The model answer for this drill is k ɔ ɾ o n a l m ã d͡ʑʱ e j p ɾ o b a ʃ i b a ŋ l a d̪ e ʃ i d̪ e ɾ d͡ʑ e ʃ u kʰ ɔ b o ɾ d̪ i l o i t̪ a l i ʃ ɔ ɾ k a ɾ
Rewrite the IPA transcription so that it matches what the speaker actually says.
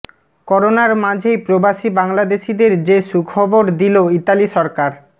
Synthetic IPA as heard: k ɔ ɾ o n a ɾ m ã d͡ʑʱ e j p ɾ o b a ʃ i b a ŋ l a d̪ e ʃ i d̪ e ɾ d͡ʑ e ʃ u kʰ ɔ b o ɾ d̪ i l o i t̪ a l i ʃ ɔ ɾ k a ɾ